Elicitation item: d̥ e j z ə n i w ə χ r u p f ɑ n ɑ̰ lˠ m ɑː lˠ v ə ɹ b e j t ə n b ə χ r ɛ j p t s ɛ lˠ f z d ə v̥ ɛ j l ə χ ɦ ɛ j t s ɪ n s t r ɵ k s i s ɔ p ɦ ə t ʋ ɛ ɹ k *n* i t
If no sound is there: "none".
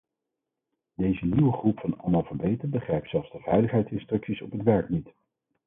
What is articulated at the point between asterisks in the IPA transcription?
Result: n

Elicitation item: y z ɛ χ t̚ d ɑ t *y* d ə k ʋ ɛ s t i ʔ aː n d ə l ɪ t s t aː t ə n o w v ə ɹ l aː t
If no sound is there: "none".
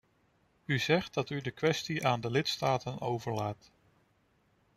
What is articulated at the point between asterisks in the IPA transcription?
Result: y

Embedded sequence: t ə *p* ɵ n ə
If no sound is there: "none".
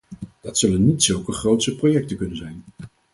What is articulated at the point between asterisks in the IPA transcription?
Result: k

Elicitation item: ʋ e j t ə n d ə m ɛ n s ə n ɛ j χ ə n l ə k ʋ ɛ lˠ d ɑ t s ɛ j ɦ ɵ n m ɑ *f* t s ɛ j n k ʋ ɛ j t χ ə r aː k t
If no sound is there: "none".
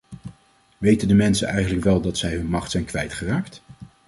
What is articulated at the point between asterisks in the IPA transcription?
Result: χ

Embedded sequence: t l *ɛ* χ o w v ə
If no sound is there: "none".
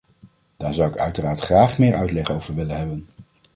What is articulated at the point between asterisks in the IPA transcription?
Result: ɛ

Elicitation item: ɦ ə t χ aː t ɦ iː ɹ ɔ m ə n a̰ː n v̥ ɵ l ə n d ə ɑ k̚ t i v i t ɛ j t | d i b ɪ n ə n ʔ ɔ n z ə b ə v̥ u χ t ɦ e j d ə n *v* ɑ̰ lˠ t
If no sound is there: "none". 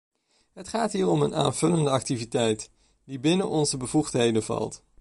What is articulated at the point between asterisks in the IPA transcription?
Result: v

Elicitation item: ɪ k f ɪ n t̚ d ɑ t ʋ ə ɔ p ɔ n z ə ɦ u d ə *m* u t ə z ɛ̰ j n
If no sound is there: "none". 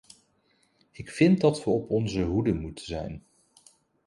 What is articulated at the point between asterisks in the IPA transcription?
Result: m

